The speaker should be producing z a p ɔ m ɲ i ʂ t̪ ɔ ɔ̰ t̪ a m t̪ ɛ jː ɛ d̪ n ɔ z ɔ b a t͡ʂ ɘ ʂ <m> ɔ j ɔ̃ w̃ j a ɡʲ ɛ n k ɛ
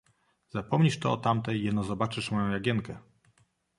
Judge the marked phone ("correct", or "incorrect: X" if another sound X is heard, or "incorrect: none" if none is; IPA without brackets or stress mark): correct